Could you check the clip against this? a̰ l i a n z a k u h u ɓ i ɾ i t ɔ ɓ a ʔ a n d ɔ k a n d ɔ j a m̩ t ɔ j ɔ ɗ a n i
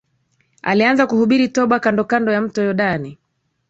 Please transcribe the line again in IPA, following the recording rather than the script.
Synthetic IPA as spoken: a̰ l i a n z a k u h u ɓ i ɾ i t ɔ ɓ a k a n d ɔ k a n d ɔ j a m̩ t ɔ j ɔ ɗ a n i